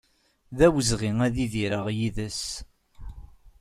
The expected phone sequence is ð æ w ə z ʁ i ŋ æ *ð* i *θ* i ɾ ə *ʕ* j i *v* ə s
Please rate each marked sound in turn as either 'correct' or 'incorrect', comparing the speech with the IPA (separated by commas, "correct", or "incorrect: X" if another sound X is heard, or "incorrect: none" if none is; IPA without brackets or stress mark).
correct, incorrect: ð, incorrect: ʁ, incorrect: ð